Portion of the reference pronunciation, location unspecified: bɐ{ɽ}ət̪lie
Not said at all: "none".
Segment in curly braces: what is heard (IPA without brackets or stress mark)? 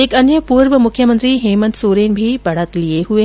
ɽ